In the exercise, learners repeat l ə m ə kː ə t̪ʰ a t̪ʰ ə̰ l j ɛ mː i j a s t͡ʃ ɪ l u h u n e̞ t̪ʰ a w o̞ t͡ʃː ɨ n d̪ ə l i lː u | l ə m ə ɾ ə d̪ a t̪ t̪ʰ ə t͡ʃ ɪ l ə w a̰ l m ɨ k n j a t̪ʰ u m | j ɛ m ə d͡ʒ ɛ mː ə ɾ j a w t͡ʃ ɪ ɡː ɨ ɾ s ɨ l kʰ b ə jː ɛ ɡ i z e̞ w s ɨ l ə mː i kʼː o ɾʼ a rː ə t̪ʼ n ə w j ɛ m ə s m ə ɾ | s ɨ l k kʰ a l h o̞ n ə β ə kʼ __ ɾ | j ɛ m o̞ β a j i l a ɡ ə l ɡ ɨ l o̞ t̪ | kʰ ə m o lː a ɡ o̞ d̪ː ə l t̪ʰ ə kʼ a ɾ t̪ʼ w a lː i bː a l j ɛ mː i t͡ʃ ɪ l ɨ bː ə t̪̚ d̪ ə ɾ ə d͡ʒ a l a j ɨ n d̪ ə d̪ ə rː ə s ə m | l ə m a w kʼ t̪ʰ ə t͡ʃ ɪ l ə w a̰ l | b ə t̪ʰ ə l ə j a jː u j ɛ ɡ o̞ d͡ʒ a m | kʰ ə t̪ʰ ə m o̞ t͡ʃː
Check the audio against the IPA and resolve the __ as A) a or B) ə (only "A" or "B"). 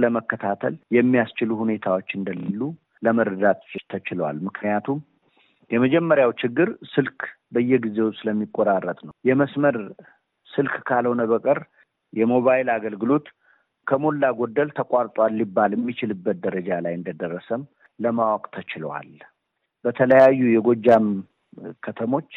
B